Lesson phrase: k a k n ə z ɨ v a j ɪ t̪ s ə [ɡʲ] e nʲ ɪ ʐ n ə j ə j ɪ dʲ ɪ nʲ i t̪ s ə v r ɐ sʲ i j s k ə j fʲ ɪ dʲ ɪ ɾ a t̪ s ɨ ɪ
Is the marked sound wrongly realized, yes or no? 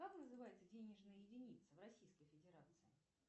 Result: yes